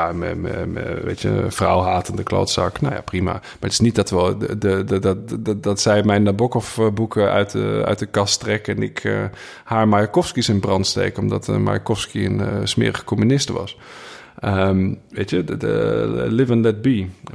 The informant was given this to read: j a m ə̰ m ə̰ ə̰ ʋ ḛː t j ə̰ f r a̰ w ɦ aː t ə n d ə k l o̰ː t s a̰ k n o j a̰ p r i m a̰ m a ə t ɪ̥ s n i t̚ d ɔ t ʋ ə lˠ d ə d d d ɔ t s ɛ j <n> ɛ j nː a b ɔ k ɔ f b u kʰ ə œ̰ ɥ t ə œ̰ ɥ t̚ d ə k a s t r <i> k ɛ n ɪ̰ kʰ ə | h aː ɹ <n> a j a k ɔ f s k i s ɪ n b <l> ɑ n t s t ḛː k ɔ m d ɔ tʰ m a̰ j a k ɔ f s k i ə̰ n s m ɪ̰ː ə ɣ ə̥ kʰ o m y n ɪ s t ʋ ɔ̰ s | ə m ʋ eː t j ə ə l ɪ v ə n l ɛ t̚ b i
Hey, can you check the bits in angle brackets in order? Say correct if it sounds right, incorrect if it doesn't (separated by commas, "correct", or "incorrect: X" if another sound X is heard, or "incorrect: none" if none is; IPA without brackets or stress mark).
incorrect: m, incorrect: ɛ, incorrect: m, incorrect: r